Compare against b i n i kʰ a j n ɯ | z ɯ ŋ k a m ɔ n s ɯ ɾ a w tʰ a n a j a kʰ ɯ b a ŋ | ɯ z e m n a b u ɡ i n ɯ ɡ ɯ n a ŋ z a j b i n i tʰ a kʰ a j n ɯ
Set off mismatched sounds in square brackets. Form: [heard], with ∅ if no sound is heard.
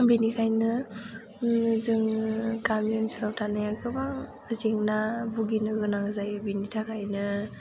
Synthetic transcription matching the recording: b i n i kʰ a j n ɯ | z ɯ ŋ k a m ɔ n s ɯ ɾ a w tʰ a n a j a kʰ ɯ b a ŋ | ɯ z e [ŋ] n a b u ɡ i n ɯ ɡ ɯ n a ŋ z a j b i n i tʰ a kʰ a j n ɯ